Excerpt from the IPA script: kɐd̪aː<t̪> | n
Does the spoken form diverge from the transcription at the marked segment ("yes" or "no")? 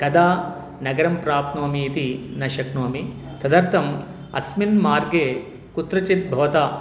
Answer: yes